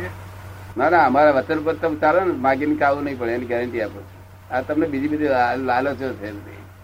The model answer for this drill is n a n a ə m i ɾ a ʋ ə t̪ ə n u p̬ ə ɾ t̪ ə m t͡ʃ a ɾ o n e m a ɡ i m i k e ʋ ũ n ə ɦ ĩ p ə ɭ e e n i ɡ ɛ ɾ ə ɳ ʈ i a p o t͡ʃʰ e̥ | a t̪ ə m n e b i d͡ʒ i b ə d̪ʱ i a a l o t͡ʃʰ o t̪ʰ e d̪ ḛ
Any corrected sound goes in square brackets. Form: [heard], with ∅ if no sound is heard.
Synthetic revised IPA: n a n a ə m [a] ɾ a ʋ ə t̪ ə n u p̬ ə ɾ t̪ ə m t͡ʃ a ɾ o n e m a ɡ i [n] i k [a] ʋ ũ n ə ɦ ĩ p ə ɭ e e n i ɡ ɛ ɾ ə ɳ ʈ i a p o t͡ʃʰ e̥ | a t̪ ə m n e b i d͡ʒ i b ə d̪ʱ i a a l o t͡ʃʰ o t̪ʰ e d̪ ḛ